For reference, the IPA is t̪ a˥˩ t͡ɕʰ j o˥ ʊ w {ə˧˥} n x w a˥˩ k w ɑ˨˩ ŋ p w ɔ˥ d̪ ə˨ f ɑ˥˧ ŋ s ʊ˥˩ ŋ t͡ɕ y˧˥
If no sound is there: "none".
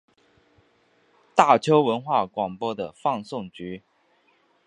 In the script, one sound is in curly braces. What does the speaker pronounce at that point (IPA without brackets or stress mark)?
ə˧˥